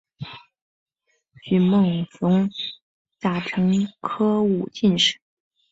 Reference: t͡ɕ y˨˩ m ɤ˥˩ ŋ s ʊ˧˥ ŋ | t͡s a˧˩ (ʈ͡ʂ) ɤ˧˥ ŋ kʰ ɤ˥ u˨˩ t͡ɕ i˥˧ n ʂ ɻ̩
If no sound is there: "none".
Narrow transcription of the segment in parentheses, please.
ʈ͡ʂʰ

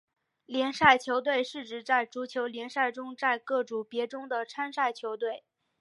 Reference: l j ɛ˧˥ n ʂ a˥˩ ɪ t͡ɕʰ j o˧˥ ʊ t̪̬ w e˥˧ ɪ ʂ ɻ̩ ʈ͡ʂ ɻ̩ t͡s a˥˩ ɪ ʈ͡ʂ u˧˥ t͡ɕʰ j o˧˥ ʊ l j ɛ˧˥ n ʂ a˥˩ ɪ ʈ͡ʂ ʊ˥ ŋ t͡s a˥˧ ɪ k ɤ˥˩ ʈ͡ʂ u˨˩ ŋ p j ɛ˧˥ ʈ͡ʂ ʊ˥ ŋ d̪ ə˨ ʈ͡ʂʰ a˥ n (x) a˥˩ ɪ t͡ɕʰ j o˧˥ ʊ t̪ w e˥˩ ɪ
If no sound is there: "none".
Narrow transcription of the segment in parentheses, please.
ʂ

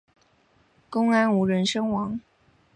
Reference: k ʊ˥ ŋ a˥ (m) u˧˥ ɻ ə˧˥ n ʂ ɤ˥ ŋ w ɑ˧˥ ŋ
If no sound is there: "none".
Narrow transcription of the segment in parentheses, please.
n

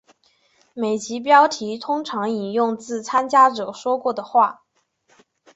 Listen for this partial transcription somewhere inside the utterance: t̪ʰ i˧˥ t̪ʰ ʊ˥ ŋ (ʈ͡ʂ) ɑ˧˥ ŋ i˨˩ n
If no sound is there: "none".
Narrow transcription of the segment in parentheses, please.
ʈ͡ʂʰ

